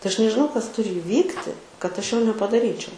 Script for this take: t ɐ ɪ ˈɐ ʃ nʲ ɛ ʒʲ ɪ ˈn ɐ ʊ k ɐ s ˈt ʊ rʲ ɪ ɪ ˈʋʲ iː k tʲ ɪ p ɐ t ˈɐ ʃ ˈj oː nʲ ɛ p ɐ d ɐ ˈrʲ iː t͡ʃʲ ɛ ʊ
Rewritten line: t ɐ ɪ ˈɐ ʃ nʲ ɛ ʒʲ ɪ ˈn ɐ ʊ k ɐ s ˈt ʊ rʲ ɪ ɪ ˈʋʲ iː k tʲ ɪ k ɐ t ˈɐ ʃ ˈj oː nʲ ɛ p ɐ d ɐ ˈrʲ iː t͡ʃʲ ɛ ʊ